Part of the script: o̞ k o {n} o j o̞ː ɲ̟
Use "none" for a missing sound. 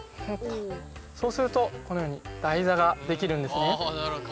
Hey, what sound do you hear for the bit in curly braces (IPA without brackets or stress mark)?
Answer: n